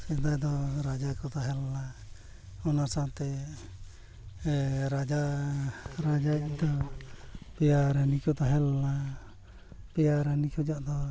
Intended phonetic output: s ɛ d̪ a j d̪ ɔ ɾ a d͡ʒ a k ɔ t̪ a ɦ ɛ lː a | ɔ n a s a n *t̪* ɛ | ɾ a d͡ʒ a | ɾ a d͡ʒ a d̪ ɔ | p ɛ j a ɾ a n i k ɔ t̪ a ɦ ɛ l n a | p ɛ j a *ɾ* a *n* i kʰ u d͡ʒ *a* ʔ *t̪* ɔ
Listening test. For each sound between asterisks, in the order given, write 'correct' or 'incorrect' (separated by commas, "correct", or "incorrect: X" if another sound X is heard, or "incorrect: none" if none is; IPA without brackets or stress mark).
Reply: correct, correct, correct, correct, incorrect: d̪